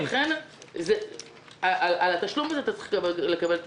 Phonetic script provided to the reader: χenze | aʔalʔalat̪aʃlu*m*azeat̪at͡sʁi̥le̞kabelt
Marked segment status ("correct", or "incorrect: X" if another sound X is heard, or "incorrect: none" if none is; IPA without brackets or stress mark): correct